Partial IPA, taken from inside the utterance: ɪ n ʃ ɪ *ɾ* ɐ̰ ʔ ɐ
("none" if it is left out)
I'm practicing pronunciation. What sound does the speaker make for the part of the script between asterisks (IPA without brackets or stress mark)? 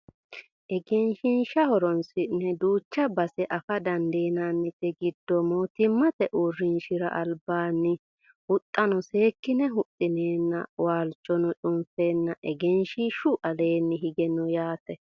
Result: ɾ